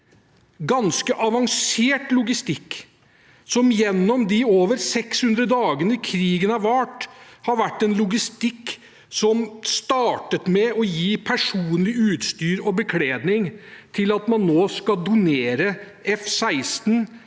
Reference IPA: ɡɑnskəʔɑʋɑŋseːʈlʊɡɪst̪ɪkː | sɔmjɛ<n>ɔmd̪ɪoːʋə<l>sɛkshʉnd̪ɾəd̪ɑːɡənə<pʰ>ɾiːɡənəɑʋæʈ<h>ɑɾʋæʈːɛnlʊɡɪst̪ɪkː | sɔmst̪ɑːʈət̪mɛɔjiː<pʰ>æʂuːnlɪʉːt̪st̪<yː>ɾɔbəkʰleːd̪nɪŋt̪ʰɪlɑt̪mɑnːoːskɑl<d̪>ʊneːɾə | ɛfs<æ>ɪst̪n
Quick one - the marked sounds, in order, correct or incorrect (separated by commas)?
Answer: incorrect, incorrect, incorrect, correct, correct, correct, correct, correct